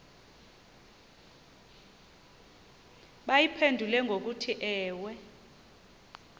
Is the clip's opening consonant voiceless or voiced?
voiced